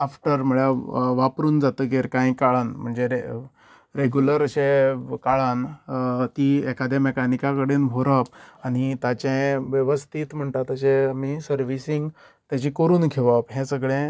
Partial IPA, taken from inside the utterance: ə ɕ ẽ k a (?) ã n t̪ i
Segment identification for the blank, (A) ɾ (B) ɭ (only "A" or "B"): B